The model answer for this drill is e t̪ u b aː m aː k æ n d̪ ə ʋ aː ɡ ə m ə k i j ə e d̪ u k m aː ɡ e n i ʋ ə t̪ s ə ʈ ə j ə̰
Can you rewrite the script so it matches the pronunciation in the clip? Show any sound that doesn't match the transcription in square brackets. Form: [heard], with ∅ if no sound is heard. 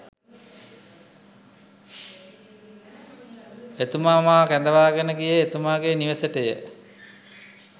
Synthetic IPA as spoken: e t̪ u [m] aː m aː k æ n d̪ ə ʋ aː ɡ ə [n] ə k i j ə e [t̪] u [∅] m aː ɡ e n i ʋ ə [∅] s ə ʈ ə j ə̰